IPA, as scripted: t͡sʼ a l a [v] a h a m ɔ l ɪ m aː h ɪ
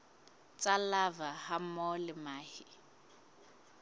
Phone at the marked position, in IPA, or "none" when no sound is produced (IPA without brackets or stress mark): v